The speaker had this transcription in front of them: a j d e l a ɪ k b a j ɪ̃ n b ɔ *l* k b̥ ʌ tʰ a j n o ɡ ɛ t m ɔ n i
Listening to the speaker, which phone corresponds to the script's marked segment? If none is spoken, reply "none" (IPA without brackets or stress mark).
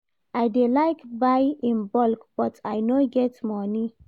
l